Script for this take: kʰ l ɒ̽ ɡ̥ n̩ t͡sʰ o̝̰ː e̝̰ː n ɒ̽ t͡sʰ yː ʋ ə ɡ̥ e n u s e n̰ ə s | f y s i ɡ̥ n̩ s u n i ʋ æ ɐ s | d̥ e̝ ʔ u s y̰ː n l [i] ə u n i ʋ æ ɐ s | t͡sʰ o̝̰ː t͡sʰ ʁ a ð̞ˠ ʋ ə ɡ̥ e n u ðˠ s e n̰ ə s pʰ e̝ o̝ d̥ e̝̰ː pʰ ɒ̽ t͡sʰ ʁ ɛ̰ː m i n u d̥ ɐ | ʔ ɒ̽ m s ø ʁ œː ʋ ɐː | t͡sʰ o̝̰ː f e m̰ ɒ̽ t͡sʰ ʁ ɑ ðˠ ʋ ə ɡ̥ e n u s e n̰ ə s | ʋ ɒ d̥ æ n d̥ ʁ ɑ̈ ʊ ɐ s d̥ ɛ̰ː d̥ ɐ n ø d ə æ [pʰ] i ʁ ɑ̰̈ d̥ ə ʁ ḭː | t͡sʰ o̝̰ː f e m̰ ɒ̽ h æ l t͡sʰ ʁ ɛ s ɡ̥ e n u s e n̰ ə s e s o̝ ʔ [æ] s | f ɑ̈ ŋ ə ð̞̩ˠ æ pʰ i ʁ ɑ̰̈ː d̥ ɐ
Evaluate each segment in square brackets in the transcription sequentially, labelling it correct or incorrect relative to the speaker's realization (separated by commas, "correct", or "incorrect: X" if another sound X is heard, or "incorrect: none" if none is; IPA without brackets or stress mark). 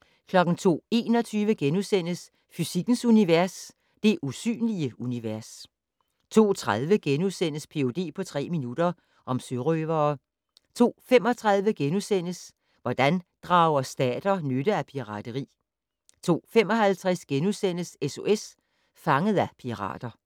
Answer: correct, correct, incorrect: e